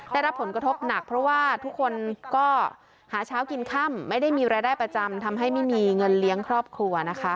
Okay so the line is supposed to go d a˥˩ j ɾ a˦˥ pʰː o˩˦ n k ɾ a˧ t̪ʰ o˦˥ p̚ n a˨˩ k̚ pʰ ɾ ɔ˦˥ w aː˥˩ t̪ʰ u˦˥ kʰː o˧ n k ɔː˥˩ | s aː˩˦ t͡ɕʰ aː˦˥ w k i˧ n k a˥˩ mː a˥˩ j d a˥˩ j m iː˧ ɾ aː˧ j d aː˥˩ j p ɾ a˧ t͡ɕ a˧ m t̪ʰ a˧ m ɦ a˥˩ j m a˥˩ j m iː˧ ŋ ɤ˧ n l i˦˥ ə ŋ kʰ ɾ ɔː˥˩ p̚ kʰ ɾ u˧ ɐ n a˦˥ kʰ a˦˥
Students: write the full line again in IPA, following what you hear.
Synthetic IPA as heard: d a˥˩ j ɾ a˦˥ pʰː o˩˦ n k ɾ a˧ t̪ʰ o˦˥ p̚ n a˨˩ k̚ pʰ ɾ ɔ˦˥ w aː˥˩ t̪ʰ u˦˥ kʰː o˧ n k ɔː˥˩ | h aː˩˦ t͡ɕʰ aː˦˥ w k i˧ n kʰ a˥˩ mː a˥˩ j d a˥˩ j m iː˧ ɾ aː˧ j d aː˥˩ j p ɾ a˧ t͡ɕ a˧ m t̪ʰ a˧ m ɦ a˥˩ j m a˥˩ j m iː˧ ŋ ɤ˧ n l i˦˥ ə ŋ kʰ ɾ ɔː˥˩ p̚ kʰ ɾ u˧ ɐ n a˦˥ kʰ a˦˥